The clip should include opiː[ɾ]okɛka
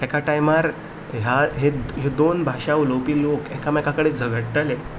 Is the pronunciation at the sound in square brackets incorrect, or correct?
incorrect